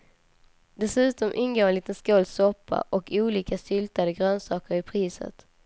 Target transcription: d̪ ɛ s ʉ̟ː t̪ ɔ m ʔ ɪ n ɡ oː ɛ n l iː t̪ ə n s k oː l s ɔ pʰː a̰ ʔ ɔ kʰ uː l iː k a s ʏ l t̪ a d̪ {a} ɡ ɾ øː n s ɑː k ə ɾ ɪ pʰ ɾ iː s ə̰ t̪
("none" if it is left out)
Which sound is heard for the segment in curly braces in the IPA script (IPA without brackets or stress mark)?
ə